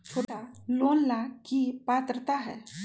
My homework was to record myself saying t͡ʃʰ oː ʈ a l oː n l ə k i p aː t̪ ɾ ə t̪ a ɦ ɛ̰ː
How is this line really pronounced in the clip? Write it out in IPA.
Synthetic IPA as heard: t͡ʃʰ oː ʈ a l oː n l a k i p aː t̪ ɾ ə t̪ a ɦ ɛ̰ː